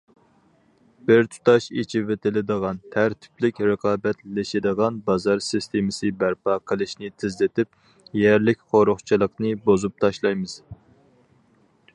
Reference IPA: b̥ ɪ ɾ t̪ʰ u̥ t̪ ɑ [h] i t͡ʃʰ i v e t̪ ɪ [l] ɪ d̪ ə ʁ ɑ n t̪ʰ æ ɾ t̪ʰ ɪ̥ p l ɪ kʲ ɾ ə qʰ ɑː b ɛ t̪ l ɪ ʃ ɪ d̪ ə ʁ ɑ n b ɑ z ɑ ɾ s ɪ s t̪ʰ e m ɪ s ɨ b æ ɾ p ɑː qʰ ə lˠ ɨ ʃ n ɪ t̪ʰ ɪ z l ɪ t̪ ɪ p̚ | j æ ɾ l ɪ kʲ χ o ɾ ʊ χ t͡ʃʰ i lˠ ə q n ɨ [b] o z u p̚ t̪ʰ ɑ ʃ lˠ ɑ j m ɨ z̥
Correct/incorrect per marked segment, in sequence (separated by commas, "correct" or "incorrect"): incorrect, correct, correct